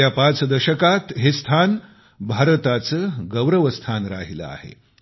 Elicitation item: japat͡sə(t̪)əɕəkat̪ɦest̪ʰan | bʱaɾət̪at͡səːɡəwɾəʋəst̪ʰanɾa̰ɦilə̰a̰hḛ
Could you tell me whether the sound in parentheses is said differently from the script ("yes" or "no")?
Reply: yes